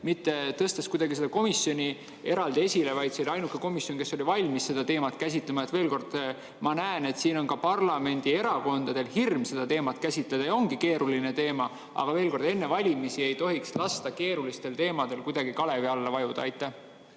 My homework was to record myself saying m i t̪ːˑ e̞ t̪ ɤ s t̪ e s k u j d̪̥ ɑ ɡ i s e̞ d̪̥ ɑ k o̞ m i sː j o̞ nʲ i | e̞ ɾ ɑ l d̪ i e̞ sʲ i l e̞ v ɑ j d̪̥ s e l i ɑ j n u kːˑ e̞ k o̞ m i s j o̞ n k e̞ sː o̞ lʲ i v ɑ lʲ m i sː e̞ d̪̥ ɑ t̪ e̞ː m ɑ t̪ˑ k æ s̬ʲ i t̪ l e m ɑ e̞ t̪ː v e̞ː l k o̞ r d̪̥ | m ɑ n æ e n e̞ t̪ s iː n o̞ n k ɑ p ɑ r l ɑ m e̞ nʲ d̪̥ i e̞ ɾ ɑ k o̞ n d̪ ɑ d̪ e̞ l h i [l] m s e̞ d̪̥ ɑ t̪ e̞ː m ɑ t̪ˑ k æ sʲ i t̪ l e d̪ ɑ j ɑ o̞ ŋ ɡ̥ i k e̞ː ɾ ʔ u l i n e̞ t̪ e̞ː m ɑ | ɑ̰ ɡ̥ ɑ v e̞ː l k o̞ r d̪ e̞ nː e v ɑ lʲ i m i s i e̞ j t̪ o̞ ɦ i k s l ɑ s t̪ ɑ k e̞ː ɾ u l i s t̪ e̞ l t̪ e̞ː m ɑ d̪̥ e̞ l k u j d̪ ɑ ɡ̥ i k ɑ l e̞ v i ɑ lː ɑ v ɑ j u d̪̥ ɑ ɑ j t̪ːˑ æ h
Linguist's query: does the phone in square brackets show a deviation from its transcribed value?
yes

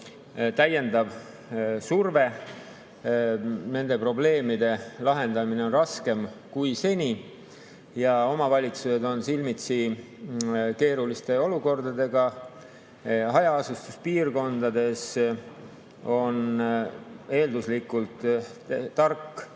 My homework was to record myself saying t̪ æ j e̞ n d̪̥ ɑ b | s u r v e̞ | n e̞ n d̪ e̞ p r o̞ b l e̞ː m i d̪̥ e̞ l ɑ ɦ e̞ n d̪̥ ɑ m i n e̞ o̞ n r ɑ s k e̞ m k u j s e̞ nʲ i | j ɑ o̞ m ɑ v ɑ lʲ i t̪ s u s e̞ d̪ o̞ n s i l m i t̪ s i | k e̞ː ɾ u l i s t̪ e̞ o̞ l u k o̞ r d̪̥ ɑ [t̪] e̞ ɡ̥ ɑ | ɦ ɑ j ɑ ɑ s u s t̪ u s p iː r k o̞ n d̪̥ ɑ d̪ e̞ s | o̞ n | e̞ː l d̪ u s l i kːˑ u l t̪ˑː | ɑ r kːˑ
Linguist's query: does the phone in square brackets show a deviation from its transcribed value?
yes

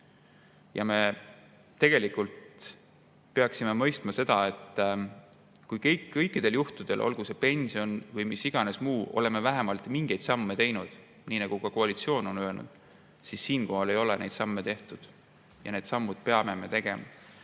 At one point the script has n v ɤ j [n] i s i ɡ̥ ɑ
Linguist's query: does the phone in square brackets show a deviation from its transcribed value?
yes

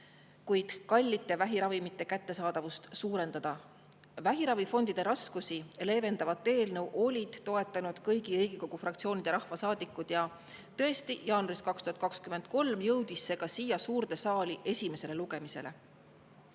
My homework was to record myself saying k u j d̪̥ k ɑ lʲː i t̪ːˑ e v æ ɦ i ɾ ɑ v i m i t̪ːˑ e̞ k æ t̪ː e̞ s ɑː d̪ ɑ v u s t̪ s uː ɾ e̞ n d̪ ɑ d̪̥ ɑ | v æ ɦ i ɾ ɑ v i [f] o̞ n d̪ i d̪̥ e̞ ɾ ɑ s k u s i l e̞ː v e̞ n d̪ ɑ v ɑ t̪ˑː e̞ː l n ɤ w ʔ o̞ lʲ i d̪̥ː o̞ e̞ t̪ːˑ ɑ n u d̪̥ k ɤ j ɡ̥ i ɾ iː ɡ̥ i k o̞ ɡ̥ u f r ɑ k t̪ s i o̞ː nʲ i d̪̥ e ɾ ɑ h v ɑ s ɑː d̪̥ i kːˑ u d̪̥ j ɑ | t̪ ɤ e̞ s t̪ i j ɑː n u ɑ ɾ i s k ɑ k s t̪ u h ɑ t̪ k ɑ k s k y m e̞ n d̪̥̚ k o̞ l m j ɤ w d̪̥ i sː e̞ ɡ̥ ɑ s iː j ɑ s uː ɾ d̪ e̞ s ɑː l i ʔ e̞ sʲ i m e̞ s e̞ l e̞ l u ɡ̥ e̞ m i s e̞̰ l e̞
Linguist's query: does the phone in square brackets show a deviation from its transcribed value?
no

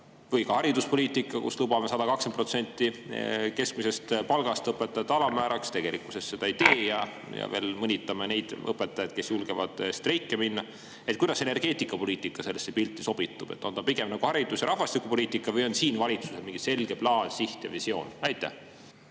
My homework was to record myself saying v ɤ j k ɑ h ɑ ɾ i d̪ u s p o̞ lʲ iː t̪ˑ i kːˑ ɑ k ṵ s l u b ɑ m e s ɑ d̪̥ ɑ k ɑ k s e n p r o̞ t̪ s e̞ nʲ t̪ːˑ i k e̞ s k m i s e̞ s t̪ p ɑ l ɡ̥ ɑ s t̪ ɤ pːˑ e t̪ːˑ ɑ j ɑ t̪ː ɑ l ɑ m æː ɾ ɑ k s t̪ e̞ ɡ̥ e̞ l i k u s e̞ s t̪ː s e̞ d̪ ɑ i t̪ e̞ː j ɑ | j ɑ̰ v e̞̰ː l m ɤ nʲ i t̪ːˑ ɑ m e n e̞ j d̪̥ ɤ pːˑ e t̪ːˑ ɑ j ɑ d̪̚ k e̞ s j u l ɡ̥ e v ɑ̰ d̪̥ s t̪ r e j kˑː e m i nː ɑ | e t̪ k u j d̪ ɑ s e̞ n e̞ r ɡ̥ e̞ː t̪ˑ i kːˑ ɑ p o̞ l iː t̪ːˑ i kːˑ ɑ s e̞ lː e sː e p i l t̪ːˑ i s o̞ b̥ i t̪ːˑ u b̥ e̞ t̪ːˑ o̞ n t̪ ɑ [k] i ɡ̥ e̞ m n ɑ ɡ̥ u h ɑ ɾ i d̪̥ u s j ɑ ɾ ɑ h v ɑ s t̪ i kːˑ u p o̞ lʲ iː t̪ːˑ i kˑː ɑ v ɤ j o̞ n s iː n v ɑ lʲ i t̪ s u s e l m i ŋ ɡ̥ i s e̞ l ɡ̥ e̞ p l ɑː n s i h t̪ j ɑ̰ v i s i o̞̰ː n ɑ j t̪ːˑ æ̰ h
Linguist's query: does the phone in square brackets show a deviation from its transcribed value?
yes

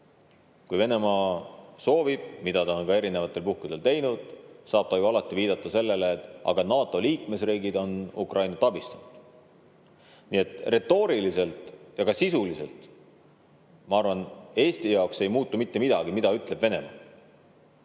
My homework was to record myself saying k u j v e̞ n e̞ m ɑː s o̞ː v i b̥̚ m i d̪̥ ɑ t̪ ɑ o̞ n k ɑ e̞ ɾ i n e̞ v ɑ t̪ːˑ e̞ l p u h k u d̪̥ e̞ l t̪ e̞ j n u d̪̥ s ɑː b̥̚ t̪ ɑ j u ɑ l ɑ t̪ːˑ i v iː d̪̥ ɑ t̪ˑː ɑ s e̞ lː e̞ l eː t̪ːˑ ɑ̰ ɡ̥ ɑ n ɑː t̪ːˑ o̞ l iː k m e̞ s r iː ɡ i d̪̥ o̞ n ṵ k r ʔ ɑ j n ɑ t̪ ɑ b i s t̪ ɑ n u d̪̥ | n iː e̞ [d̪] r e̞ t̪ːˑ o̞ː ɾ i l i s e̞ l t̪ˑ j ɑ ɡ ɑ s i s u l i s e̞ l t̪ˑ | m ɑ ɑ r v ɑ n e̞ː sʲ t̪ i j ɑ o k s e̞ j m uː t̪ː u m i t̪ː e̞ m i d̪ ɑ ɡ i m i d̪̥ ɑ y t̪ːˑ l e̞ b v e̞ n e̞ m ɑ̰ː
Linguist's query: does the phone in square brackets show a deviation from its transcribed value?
yes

